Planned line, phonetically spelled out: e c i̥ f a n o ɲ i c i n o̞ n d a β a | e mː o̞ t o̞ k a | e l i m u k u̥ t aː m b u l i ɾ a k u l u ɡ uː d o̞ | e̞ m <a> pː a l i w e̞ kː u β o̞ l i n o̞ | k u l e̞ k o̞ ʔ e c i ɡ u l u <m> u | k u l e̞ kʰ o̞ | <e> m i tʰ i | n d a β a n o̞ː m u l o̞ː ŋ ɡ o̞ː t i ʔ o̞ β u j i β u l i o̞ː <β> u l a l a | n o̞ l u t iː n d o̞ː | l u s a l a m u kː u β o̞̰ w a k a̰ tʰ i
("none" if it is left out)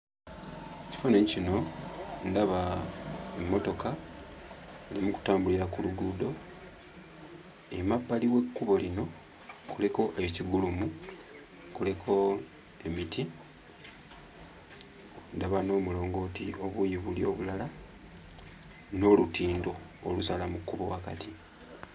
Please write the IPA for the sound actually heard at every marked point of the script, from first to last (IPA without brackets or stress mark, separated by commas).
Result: a, m, e, β